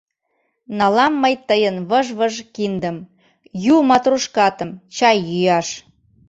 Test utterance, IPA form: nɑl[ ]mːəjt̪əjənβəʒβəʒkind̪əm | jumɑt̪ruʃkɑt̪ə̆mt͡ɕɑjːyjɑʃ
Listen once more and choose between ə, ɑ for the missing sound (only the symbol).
ɑ